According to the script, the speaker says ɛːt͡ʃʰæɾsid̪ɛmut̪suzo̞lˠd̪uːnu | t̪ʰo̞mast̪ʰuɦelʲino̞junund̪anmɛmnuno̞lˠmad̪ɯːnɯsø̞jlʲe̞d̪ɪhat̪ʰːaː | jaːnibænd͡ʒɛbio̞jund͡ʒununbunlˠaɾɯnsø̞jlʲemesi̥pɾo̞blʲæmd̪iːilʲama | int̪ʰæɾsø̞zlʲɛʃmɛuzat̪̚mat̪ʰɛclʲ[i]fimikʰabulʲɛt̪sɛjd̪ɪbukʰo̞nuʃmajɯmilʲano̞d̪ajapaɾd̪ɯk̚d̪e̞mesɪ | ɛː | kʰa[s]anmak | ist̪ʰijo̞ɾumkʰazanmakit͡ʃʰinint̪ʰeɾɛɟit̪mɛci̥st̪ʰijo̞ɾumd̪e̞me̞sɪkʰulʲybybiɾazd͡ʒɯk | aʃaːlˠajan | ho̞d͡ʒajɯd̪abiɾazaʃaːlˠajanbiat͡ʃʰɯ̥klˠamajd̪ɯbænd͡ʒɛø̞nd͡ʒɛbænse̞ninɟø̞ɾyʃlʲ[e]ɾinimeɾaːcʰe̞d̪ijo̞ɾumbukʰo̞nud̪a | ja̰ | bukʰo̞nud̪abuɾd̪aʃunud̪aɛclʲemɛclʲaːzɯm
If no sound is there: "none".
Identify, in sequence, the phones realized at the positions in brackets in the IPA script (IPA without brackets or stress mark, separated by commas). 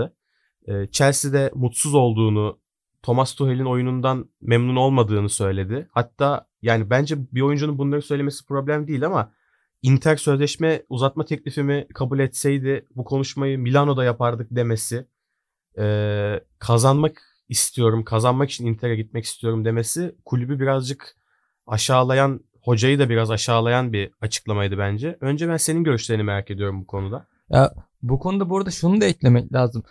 i, z, e